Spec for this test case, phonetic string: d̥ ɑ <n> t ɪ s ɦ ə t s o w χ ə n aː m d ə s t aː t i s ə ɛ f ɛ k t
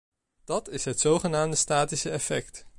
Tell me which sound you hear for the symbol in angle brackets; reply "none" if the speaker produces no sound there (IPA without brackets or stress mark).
none